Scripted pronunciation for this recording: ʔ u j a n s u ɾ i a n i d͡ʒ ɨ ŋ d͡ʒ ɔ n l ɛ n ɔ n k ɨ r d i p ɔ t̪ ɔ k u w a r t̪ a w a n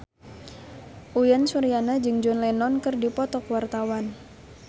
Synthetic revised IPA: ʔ u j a n s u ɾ i a n a d͡ʒ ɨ ŋ d͡ʒ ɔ n l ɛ n ɔ n k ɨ r d i p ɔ t̪ ɔ k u w a r t̪ a w a n